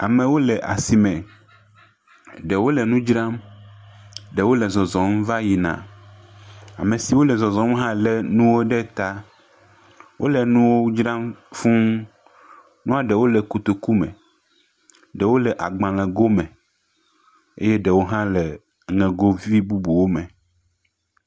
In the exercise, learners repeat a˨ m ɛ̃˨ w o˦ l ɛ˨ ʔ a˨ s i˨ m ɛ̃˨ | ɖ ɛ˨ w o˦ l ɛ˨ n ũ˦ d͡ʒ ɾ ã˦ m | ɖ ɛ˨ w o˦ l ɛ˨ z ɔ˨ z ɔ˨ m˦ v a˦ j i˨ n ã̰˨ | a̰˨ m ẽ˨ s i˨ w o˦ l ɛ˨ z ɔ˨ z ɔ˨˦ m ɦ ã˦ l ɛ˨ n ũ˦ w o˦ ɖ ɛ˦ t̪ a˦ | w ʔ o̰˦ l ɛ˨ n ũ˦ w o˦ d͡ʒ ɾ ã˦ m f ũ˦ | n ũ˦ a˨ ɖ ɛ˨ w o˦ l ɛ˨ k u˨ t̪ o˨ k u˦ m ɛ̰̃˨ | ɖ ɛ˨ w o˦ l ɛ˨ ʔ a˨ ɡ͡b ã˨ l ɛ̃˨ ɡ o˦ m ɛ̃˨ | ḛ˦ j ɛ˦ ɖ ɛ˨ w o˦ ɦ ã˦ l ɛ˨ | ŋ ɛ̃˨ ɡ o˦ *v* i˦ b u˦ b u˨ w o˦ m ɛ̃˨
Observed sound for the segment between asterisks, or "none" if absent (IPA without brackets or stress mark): v